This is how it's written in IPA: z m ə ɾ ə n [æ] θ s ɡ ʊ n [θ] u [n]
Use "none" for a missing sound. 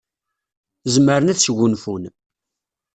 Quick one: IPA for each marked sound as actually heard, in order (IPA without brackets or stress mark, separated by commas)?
æ, f, n